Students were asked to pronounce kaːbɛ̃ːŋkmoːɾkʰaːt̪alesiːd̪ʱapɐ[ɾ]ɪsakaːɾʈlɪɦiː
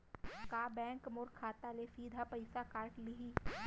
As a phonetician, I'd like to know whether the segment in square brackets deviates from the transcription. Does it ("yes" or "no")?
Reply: yes